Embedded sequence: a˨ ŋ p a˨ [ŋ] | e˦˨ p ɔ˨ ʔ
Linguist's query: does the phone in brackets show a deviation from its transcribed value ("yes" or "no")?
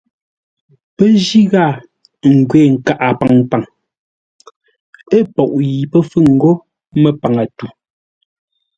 no